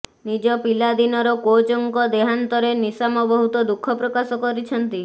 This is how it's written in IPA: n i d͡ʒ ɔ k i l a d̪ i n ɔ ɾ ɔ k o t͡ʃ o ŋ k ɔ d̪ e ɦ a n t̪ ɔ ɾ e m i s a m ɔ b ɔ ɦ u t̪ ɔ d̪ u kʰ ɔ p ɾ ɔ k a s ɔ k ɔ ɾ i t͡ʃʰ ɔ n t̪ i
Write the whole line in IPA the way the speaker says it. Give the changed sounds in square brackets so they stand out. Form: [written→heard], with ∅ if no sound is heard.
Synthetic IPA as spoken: n i d͡ʒ ɔ [k→p] i l a d̪ i n ɔ ɾ ɔ k o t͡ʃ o ŋ k ɔ d̪ e ɦ a n t̪ ɔ ɾ e [m→n] i s a m ɔ b ɔ ɦ u t̪ ɔ d̪ u kʰ ɔ p ɾ ɔ k a s ɔ k ɔ ɾ i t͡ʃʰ ɔ n t̪ i